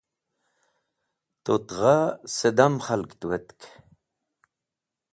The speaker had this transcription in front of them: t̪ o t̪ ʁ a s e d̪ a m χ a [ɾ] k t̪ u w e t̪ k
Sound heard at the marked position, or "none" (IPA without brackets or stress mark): l